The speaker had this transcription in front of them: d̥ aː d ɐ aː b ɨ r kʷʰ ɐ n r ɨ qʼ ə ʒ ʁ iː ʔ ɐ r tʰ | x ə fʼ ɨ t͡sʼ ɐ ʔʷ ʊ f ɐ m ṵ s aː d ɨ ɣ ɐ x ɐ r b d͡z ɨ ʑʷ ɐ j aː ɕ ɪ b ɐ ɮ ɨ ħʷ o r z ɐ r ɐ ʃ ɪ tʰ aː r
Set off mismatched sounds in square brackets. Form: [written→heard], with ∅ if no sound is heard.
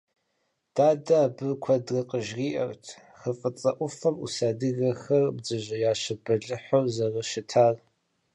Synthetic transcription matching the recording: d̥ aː d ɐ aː b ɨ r kʷʰ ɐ [n→d] r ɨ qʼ ə ʒ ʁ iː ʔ ɐ r tʰ | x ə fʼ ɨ t͡sʼ ɐ ʔʷ ʊ f ɐ m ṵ s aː d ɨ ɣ ɐ x ɐ r b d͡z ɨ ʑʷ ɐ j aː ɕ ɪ b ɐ ɮ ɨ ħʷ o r z ɐ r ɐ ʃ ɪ tʰ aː r